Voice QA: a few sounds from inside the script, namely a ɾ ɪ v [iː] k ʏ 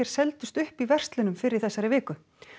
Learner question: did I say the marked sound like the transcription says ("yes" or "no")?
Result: no